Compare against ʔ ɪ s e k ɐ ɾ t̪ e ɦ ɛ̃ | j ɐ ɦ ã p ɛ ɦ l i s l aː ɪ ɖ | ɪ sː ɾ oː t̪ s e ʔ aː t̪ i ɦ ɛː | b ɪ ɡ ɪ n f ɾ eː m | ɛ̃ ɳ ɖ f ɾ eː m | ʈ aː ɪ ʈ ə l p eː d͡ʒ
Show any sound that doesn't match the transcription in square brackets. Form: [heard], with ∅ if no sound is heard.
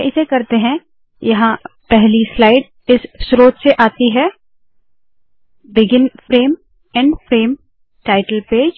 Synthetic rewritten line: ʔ ɪ s e k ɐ ɾ t̪ e ɦ ɛ̃ | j ɐ ɦ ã p ɛ ɦ l i s l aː ɪ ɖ | ɪ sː ɾ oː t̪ s e ʔ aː t̪ i ɦ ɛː | b ɪ ɡ ɪ n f ɾ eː m | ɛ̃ ɳ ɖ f ɾ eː m | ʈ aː ɪ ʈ ə l p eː d͡ʒ

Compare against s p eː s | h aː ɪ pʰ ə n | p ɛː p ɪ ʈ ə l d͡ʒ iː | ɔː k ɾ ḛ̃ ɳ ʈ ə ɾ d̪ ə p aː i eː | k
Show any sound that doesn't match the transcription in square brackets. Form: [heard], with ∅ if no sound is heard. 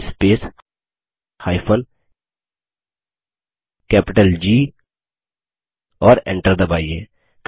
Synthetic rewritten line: s p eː s | h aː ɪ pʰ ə n | [k] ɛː p ɪ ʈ ə l d͡ʒ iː | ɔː [∅] ɾ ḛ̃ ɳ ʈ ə ɾ d̪ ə [b] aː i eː | k

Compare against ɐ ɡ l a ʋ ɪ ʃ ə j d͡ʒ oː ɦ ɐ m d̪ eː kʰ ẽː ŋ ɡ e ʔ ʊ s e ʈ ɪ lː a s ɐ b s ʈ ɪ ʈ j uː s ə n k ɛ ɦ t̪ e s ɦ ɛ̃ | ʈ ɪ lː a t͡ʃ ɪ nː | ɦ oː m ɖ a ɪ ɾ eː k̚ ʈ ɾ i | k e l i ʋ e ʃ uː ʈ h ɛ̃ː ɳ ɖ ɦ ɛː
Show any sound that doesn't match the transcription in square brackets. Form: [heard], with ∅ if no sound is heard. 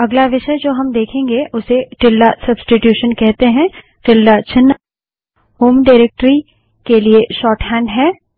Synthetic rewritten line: ɐ ɡ l a ʋ ɪ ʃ ə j d͡ʒ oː ɦ ɐ m d̪ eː kʰ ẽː ŋ ɡ e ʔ ʊ s e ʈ ɪ lː a s ɐ b s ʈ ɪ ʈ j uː [ʃ] ə n k ɛ ɦ t̪ e [∅] ɦ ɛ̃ | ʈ ɪ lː a t͡ʃ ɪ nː | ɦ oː m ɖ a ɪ ɾ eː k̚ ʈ ɾ i | k e l i [∅] e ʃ [ɔː] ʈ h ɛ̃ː ɳ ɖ ɦ ɛː

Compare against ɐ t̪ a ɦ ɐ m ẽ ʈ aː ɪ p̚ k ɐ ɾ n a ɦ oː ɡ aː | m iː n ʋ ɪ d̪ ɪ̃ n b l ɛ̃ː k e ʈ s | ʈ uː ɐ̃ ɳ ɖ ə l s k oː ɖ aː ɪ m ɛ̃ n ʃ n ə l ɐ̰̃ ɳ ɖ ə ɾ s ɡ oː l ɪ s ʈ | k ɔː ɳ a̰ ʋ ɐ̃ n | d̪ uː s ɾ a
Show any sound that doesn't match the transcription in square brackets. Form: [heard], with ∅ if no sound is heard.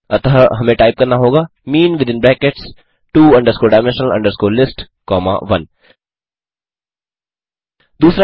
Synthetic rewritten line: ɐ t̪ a ɦ ɐ m ẽ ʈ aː ɪ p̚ k ɐ ɾ n a ɦ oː ɡ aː | m iː n ʋ ɪ d̪ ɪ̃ n b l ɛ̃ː k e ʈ s | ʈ uː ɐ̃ ɳ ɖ ə [ɾ] s k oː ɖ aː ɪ m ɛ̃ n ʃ n ə l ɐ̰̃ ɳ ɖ ə ɾ s [k] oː l ɪ s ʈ | k ɔː [m] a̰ ʋ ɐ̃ n | d̪ uː s ɾ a

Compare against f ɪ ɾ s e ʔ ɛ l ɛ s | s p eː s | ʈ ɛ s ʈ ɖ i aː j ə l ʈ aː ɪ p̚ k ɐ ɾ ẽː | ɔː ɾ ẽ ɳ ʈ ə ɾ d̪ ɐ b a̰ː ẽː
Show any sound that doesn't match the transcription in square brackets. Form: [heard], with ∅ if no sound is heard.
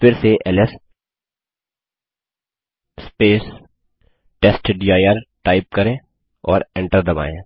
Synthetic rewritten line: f ɪ ɾ s e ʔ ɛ l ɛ s | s p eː s | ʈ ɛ s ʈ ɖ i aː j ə [ɾ] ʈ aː ɪ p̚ k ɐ ɾ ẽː | ɔː ɾ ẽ ɳ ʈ ə ɾ d̪ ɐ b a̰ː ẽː

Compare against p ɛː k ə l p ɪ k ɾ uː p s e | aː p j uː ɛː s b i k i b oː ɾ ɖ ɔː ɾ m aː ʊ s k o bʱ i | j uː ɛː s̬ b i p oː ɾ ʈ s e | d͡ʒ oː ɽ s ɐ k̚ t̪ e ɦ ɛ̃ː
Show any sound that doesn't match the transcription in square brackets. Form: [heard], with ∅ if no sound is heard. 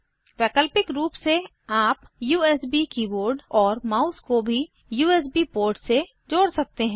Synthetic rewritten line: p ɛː k ə l p ɪ k ɾ uː p s e | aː p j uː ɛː s b i k i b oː ɾ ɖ ɔː ɾ m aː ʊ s k o bʱ i | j uː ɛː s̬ b i p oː ɾ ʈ s e | d͡ʒ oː ɽ s ɐ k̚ t̪ e ɦ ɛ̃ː

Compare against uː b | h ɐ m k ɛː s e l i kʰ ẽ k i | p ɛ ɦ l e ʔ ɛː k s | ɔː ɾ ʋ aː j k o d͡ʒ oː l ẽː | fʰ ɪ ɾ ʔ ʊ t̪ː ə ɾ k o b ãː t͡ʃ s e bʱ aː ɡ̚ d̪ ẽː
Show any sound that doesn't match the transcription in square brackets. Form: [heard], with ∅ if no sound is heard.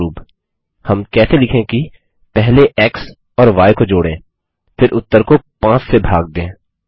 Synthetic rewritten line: uː b | h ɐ m k ɛː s e l [ɪ] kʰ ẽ k i | p ɛ ɦ l e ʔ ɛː k s | ɔː ɾ ʋ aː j k o d͡ʒ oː [ɽ] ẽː | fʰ ɪ ɾ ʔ ʊ t̪ː ə ɾ k o [p] ãː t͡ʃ s e bʱ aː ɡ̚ d̪ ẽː

